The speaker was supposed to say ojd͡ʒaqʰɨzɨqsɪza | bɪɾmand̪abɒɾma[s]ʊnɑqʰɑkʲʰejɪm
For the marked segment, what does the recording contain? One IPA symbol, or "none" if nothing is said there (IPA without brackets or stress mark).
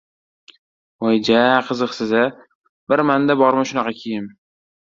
ʃ